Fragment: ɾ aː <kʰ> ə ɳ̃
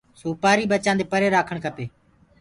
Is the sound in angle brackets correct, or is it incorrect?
correct